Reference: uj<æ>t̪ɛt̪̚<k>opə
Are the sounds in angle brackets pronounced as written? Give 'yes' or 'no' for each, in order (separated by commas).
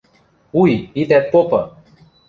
no, no